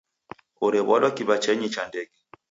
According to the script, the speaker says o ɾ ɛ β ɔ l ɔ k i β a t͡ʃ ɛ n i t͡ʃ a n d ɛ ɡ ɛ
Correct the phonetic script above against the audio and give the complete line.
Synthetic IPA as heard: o ɾ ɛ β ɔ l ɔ k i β a t͡ʃ ɛ ɲ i t͡ʃ a n d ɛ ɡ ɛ